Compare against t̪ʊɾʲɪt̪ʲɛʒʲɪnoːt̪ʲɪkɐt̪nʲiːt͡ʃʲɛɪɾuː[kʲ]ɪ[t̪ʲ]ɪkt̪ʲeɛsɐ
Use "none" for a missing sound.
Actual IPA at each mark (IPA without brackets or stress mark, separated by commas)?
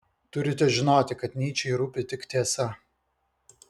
pʲ, t̪ʲ